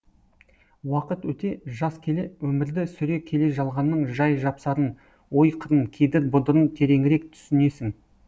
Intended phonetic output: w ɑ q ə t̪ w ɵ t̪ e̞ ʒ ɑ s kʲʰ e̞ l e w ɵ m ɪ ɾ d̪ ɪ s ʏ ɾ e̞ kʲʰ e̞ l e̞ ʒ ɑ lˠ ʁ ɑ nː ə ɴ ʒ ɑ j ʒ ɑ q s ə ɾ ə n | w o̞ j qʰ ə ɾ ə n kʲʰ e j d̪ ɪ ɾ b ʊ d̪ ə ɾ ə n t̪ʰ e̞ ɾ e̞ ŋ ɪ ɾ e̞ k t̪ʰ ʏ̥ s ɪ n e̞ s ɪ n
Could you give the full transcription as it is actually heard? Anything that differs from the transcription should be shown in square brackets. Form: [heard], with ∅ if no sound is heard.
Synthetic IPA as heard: w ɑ q ə t̪ w ɵ t̪ e̞ ʒ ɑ s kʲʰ e̞ l e w ɵ m ɪ ɾ d̪ ɪ s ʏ ɾ e̞ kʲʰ e̞ l e̞ ʒ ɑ lˠ ʁ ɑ nː ə ɴ ʒ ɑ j ʒ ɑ [p] s [ɑ] ɾ ə n | w o̞ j qʰ ə ɾ ə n kʲʰ e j d̪ ɪ ɾ b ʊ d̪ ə ɾ ə n t̪ʰ e̞ ɾ e̞ ŋ ɪ ɾ e̞ k t̪ʰ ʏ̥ s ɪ n e̞ s ɪ [ŋ]